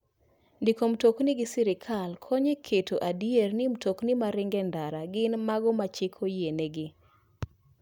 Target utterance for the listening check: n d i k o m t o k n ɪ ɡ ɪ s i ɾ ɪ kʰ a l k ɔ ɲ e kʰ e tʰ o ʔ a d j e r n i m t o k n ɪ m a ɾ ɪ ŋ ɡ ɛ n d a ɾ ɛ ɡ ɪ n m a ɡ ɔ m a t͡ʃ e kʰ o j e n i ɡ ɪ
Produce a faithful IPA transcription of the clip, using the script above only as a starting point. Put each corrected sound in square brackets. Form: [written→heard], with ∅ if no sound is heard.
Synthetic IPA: n d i k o m t o k n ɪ ɡ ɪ s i ɾ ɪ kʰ a l [k→kʰ] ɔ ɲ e kʰ e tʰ o ʔ a d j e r n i m t o k n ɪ m a ɾ ɪ ŋ ɡ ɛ n d a ɾ [ɛ→a] ɡ ɪ n m a ɡ ɔ m a t͡ʃ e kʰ o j e n [i→e] ɡ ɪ